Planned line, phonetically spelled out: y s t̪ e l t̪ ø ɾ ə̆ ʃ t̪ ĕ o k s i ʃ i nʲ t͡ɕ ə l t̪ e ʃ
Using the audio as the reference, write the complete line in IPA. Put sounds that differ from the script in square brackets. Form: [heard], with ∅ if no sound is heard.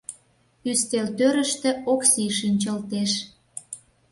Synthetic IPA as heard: y s t̪ e l t̪ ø ɾ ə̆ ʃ t̪ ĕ o k s i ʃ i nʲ t͡ɕ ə l t̪ e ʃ

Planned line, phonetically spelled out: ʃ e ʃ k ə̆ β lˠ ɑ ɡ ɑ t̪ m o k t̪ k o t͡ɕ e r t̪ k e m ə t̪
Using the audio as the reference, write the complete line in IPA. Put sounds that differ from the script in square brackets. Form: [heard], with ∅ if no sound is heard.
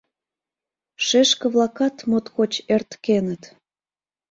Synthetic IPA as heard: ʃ e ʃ k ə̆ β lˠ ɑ [k] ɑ t̪ m o [∅] t̪ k o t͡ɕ e r t̪ k e [n] ə t̪

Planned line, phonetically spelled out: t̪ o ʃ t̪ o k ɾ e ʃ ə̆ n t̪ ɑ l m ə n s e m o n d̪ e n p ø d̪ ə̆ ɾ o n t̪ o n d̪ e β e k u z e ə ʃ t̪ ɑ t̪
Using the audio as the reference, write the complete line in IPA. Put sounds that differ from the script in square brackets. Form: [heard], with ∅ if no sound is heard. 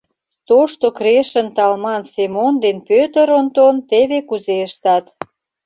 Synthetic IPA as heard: t̪ o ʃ t̪ o k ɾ e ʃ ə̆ n t̪ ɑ l m [ɑ] n s e m o n d̪ e n p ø [t̪] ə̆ ɾ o n t̪ o n [t̪] e β e k u z e ə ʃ t̪ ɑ t̪

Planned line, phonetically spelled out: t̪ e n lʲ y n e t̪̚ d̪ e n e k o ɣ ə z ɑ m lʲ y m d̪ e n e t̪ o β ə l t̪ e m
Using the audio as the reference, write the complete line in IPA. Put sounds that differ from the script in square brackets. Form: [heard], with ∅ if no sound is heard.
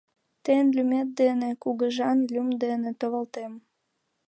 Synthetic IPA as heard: t̪ e n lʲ y [m] e t̪̚ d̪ e n e k [u] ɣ ə [ʒ] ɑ [n] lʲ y m d̪ e n e t̪ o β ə l t̪ e m

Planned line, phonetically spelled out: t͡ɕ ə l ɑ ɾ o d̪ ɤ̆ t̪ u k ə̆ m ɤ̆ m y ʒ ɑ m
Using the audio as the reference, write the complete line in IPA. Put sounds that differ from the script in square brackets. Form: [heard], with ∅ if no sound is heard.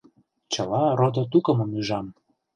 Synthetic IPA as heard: t͡ɕ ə l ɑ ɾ o d̪ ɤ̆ t̪ u k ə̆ m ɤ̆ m y ʒ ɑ m

